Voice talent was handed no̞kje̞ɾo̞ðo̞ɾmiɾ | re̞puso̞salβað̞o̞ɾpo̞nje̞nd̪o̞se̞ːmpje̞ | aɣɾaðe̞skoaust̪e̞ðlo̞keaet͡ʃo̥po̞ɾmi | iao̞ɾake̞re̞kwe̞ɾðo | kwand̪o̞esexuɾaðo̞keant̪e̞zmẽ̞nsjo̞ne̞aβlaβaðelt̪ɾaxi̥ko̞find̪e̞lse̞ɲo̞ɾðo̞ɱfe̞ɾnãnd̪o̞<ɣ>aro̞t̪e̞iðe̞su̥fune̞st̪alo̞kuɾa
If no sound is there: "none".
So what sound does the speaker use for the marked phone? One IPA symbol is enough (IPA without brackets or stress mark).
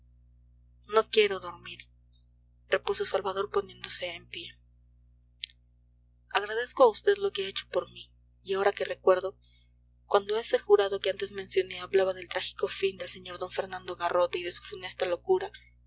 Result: ɣ